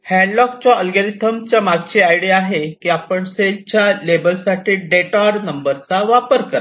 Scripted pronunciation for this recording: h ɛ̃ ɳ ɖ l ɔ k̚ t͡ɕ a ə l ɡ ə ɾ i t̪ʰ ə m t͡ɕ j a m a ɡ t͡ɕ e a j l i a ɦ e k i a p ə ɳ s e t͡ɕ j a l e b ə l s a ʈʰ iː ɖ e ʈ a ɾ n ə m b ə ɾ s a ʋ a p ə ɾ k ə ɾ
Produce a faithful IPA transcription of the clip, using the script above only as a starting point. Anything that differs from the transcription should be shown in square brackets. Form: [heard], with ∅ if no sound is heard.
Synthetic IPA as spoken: h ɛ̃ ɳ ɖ l ɔ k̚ t͡ɕ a ə l ɡ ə ɾ i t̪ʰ ə m t͡ɕ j a m a ɡ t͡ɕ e a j [ɽ] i a ɦ e k i a p ə ɳ s e t͡ɕ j a l e b ə l s a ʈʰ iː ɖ e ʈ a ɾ n ə m b ə ɾ [t͡s] a ʋ a p ə ɾ k ə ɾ